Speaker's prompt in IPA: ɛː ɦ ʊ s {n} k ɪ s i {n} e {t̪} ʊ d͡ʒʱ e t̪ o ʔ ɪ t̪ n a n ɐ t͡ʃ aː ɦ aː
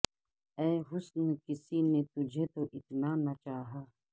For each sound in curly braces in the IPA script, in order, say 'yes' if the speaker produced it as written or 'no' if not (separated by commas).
yes, yes, yes